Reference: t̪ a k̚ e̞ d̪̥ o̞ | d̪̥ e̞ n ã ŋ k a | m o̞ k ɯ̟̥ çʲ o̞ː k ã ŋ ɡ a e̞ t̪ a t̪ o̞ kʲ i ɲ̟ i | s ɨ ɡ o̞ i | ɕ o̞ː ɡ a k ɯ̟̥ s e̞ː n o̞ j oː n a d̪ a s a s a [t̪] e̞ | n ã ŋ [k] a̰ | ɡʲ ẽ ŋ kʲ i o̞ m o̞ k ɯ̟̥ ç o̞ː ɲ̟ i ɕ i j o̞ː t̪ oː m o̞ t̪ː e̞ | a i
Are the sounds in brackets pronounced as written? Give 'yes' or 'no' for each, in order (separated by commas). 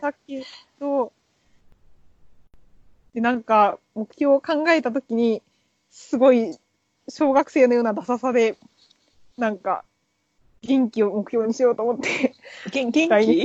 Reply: no, yes